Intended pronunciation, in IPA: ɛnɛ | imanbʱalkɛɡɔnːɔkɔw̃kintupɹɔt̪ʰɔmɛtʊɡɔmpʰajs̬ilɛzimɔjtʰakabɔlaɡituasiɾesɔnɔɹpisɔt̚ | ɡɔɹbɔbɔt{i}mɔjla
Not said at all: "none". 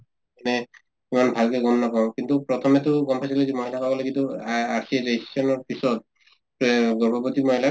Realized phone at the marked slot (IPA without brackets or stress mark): i